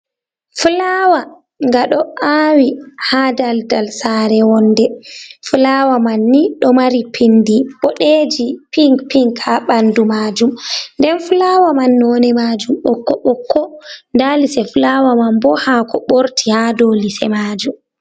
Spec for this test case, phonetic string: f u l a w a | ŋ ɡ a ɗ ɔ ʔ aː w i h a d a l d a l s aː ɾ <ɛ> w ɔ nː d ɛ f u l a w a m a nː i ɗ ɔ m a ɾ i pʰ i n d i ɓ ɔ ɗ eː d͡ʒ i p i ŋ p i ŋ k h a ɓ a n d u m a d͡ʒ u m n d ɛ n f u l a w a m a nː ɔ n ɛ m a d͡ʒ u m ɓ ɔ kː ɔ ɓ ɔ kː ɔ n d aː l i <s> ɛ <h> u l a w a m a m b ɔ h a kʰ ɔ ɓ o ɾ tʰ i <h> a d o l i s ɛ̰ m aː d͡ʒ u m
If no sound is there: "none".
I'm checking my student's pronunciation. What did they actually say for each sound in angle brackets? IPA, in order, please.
ɛ, s, f, h

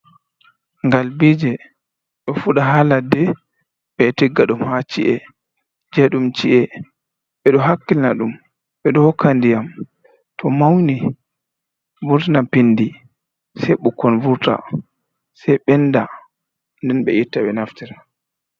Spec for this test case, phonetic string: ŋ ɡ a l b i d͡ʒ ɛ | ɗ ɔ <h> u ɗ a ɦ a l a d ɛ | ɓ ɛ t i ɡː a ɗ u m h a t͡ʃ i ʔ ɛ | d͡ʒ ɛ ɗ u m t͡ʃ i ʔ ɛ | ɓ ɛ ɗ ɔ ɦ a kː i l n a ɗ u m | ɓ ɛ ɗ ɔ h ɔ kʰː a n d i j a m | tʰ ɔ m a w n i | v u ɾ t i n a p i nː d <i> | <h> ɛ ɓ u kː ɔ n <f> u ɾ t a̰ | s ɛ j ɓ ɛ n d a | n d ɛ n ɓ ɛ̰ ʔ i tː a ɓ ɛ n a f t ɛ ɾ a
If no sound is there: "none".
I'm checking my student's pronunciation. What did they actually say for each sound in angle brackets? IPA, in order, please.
f, i, s, v

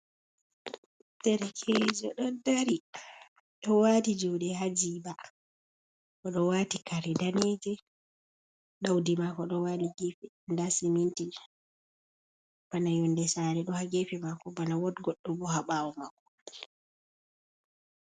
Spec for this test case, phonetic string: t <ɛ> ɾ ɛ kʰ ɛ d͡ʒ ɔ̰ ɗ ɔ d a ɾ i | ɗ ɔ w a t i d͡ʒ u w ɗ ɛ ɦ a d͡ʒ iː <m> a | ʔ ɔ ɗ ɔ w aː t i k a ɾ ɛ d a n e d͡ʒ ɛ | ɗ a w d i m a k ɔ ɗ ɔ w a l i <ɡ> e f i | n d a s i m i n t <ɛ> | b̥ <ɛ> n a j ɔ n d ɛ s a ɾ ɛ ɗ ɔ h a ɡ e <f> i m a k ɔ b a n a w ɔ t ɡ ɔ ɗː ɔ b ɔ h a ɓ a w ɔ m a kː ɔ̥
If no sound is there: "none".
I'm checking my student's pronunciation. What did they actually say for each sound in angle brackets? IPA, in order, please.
ɛ, b, ɡ, i, a, f

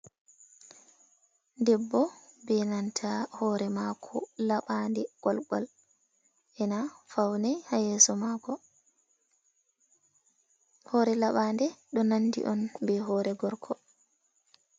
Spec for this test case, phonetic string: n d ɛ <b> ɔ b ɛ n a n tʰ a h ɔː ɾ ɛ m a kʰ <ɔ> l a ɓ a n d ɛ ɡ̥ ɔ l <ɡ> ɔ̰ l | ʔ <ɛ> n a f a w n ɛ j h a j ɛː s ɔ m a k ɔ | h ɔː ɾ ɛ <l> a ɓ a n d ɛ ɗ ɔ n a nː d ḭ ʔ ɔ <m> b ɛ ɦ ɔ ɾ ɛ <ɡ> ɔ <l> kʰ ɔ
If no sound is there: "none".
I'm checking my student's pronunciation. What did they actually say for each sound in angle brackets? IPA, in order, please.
bː, ɔ, ɡ, ɛ, l, n, ɡ, ɾ

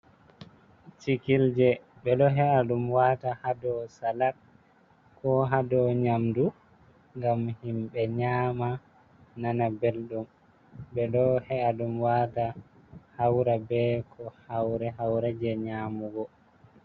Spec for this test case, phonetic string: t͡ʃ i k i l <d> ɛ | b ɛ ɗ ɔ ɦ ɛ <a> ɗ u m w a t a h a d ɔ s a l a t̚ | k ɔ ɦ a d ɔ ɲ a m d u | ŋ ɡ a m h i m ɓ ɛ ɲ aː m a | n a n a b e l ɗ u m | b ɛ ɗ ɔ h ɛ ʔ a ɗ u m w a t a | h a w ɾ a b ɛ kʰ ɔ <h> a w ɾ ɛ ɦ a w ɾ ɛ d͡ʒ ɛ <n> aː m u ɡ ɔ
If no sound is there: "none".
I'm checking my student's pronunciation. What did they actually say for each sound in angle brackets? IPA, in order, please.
d͡ʒ, a, h, ɲ

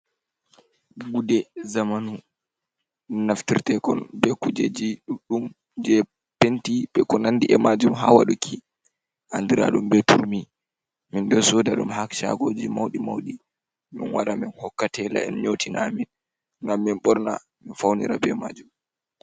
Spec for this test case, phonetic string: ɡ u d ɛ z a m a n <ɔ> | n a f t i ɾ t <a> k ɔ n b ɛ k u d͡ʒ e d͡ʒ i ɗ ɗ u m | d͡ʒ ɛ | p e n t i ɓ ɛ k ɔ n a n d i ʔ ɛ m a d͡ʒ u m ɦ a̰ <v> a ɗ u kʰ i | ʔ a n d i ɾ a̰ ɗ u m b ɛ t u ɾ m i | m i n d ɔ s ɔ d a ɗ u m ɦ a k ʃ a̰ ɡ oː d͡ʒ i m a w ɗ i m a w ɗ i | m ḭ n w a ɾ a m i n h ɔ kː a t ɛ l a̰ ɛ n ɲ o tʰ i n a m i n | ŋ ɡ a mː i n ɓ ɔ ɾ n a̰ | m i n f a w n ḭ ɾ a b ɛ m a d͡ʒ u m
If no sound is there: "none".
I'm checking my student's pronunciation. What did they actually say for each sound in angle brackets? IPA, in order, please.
u, ɛ, w

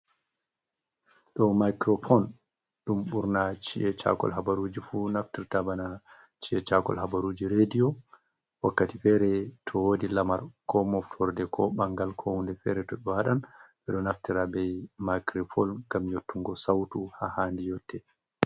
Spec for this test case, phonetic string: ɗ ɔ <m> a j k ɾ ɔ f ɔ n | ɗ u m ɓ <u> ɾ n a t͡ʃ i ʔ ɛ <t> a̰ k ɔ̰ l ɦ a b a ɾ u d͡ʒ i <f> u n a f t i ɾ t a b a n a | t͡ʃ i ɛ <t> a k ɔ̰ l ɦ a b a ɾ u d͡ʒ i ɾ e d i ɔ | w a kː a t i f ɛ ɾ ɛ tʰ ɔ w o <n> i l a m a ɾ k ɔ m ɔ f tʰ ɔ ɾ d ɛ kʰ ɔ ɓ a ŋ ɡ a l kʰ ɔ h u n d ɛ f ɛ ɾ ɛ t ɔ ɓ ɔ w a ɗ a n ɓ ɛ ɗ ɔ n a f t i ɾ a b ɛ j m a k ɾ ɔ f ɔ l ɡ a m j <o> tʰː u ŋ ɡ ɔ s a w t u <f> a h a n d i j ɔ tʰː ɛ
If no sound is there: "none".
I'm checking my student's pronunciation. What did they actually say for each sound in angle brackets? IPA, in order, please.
m, u, t͡ʃ, f, t͡ʃ, d, o, h

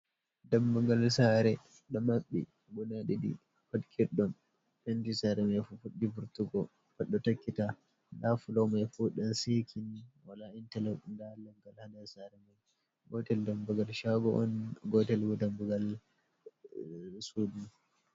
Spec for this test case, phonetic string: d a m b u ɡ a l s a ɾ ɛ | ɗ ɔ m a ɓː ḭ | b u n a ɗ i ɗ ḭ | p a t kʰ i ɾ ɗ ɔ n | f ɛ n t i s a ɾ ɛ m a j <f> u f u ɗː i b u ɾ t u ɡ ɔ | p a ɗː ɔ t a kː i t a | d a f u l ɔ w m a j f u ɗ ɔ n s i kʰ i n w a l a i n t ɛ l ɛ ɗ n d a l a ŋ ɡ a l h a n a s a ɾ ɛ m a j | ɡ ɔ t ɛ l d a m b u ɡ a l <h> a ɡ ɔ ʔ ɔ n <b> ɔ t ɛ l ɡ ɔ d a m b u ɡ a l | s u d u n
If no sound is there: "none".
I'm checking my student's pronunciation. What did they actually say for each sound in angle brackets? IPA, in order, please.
f, ʃ, ɡ

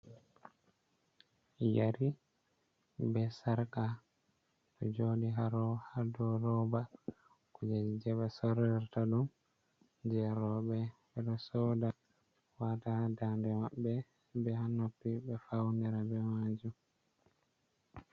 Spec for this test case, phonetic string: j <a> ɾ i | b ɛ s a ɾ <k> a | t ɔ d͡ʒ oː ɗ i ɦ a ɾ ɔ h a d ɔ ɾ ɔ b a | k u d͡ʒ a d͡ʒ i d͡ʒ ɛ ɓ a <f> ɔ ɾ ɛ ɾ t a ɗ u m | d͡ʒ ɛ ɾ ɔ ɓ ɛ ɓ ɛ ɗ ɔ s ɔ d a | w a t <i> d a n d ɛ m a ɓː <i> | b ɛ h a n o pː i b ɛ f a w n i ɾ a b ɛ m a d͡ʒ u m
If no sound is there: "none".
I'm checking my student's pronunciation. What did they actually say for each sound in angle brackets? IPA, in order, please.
a, k, s, a, ɛ

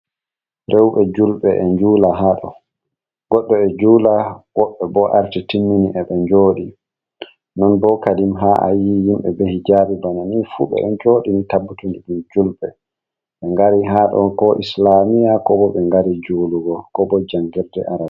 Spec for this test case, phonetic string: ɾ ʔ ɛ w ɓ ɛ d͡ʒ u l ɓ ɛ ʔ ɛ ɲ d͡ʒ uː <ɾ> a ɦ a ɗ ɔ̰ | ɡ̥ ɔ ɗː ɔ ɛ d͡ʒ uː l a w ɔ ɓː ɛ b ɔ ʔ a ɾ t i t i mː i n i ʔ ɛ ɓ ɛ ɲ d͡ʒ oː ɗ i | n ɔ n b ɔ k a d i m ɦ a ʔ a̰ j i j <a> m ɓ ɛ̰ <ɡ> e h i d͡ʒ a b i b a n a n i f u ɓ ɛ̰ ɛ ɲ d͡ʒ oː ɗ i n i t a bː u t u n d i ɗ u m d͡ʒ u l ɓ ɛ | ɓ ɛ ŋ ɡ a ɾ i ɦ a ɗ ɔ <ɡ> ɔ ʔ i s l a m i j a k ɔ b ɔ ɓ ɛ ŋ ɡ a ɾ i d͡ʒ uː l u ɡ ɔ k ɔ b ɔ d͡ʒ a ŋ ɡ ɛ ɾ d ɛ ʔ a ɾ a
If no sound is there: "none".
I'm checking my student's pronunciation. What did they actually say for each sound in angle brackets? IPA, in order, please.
l, i, b, k

